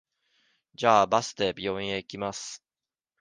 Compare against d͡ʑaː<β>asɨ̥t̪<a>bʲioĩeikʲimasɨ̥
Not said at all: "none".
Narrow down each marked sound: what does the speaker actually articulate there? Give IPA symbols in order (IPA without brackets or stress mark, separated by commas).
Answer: b, e